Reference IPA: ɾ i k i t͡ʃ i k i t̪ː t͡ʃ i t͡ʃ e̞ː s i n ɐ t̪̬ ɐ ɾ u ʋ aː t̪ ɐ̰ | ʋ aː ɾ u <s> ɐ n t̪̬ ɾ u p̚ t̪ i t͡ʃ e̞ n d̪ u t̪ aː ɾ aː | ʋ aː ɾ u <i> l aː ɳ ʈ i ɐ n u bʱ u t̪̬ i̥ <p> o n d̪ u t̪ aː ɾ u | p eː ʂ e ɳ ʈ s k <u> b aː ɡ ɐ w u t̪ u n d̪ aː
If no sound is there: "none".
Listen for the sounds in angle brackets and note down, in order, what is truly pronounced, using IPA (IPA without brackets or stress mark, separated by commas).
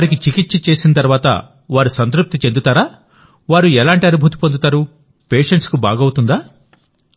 s, ɛ, p, u